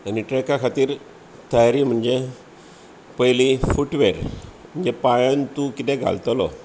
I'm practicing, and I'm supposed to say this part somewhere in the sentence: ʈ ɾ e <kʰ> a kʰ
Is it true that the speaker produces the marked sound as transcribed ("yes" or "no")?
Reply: no